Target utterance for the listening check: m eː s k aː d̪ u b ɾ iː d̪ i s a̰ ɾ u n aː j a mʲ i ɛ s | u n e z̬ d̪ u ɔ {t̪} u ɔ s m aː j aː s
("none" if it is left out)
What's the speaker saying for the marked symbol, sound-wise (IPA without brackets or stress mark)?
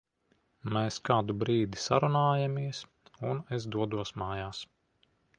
d̪